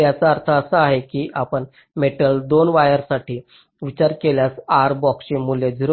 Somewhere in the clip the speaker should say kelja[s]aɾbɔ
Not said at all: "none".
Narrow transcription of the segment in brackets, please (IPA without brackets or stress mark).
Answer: s